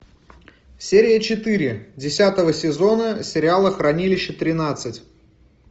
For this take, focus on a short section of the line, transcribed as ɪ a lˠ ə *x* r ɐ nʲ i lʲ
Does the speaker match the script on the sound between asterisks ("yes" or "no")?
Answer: yes